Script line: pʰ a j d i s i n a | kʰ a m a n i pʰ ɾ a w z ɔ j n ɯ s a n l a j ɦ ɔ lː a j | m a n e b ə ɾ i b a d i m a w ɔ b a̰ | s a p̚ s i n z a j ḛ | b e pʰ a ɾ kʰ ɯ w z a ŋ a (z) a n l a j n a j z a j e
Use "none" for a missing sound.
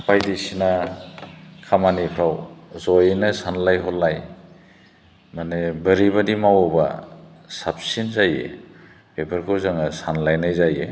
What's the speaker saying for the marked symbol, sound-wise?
s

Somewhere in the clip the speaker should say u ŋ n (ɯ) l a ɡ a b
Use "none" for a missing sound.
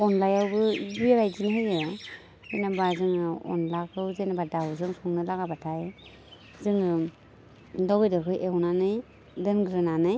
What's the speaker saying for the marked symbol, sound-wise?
ɯ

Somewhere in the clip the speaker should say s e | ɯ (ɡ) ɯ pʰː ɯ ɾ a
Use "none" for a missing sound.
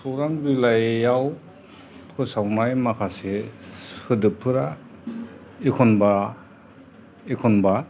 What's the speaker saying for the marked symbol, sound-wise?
d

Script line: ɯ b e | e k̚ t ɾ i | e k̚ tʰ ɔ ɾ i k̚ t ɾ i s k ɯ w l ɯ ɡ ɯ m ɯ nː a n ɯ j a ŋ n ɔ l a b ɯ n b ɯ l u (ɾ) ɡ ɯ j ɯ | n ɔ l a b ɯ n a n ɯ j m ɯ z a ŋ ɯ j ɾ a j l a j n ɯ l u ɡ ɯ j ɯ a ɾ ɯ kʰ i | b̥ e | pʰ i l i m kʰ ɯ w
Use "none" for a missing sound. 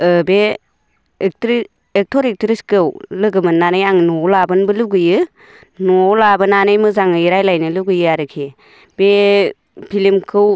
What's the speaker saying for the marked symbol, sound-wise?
none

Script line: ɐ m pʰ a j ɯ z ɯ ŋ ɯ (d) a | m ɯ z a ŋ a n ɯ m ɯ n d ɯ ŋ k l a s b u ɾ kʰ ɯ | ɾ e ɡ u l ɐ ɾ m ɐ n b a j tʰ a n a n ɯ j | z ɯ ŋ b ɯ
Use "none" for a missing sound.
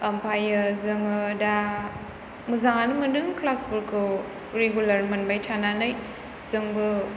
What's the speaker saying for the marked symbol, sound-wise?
d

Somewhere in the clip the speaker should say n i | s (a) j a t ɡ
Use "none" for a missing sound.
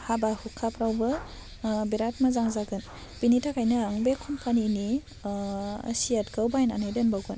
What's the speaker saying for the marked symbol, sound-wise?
i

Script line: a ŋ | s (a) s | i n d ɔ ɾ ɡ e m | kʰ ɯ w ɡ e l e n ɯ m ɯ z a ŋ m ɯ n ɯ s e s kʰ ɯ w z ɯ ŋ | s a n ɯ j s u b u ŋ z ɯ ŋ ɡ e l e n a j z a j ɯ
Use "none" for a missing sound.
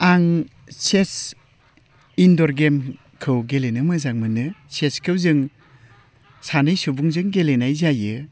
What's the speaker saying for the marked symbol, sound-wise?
e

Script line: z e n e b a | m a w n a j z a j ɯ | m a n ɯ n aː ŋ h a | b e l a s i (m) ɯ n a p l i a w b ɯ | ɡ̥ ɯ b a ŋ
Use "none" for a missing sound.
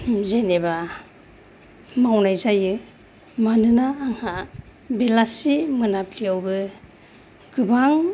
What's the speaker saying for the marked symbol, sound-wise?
m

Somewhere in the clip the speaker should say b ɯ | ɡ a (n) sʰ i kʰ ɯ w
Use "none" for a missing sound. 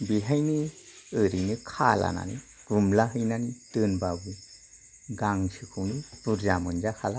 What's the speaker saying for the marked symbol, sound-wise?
ŋ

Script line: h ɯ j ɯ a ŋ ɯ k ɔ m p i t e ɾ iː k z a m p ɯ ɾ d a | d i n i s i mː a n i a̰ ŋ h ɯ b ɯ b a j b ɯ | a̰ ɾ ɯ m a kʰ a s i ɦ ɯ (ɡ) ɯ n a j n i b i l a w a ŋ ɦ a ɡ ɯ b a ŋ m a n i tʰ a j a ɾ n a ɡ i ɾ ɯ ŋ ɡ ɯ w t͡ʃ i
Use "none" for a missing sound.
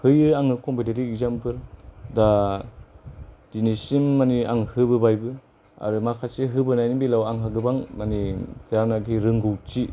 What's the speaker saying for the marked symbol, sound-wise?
b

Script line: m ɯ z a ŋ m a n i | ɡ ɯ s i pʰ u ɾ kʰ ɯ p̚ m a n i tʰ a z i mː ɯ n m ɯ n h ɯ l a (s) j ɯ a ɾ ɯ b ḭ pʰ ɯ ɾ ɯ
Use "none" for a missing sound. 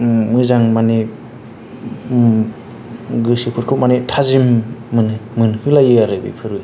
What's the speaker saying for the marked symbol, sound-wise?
none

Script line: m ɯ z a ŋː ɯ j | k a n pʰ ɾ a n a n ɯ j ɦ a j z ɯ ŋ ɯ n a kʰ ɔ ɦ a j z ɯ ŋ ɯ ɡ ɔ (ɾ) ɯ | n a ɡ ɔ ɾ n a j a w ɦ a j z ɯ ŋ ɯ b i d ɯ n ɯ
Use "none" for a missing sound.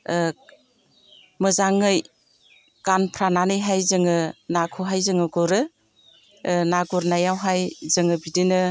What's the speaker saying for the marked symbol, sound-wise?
ɾ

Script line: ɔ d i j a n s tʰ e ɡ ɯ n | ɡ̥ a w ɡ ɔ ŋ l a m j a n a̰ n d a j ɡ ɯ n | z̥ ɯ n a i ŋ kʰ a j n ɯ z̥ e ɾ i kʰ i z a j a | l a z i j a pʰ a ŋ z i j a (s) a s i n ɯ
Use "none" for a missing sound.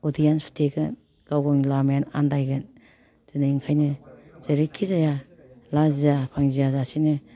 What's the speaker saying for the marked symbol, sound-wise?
z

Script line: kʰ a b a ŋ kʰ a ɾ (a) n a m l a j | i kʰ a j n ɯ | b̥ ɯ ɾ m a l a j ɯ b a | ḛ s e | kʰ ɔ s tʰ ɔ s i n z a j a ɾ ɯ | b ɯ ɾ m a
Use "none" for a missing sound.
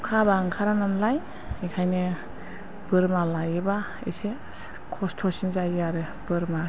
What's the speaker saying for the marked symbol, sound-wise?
a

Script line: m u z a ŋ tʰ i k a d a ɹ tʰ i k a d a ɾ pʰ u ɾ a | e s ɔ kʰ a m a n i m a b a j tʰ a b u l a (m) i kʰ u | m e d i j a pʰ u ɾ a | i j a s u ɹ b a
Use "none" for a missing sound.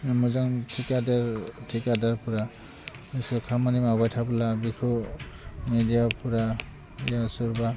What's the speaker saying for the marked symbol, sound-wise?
b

